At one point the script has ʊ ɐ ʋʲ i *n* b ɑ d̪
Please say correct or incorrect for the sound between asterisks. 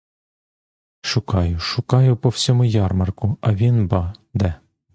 correct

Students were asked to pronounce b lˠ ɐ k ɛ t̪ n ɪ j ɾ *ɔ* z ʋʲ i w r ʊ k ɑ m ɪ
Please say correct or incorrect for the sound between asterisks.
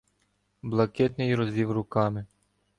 correct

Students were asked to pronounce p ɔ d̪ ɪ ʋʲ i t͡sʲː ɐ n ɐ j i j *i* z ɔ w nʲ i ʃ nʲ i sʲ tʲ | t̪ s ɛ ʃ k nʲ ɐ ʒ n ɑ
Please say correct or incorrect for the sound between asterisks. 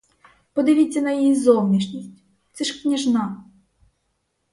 correct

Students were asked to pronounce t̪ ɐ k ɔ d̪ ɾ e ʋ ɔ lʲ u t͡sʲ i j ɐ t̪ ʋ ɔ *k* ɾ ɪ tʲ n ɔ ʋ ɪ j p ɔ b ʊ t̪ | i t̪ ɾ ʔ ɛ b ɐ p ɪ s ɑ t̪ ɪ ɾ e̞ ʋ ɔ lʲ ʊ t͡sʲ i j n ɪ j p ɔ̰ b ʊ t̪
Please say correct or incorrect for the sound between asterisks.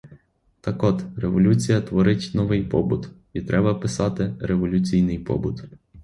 incorrect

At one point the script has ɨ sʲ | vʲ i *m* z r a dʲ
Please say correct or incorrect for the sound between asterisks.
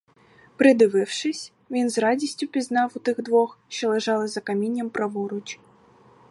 incorrect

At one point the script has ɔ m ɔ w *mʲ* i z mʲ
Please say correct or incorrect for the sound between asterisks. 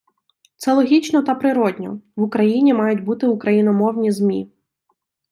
incorrect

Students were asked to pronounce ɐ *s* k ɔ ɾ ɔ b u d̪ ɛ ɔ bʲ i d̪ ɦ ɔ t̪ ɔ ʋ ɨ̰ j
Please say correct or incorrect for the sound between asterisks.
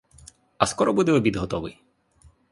correct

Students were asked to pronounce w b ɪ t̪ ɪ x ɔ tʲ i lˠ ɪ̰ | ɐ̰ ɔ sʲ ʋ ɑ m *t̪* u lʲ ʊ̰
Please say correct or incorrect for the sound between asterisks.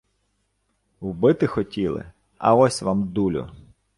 incorrect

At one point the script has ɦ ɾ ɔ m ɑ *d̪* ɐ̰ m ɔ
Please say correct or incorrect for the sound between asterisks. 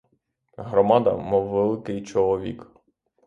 correct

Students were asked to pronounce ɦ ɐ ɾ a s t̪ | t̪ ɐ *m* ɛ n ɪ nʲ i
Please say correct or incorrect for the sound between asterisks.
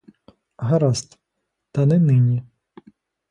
incorrect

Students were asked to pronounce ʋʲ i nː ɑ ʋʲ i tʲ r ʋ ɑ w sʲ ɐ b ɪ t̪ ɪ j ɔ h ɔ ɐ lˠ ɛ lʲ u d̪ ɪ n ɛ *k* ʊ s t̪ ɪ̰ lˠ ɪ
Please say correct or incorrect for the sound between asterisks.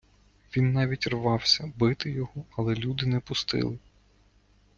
incorrect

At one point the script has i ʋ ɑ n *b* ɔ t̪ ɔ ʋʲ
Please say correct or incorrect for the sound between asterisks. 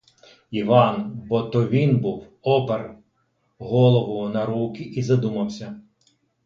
correct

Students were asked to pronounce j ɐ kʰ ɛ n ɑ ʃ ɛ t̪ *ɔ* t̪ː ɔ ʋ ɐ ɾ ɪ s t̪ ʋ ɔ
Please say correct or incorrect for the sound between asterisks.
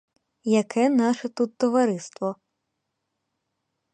incorrect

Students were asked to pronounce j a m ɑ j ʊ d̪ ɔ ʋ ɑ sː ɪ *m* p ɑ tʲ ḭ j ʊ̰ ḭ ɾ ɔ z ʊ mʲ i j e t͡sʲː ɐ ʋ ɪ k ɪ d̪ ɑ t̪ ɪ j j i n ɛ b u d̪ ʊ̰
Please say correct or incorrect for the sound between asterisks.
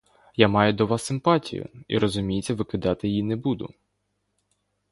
correct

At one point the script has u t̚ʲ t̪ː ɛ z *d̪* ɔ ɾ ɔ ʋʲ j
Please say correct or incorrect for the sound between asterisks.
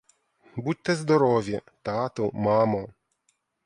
correct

